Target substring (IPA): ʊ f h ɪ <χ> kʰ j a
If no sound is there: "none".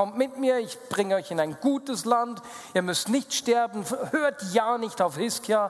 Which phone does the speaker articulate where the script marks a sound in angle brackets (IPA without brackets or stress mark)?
s